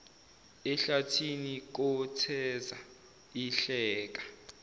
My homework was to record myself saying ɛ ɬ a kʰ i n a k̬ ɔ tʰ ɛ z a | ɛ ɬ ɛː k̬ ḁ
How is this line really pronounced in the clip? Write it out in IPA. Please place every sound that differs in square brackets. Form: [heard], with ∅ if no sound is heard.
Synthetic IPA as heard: ɛ ɬ a [tʰ] i n [i] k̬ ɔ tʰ ɛ z a | [i] ɬ ɛː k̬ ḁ